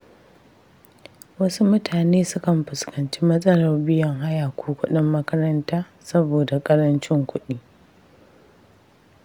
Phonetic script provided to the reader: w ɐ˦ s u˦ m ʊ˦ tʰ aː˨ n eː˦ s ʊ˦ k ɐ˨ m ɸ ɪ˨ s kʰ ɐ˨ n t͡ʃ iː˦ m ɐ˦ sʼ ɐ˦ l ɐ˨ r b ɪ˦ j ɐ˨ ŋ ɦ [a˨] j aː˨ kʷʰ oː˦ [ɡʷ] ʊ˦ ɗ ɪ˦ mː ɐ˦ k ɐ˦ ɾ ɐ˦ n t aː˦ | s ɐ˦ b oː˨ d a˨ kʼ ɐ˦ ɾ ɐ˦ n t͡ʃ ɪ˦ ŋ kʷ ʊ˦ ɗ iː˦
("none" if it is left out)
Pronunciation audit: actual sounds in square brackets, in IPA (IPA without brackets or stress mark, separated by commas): a˦, kʷ